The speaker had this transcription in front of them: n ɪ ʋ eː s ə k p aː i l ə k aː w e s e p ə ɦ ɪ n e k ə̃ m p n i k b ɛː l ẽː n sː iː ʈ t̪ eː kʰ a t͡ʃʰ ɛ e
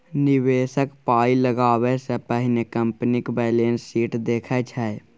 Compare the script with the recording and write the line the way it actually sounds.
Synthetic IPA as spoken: n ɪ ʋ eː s ə k p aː i l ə ɡ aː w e s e p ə ɦ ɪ n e k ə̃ m p n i k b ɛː l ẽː n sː iː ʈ d̪ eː kʰ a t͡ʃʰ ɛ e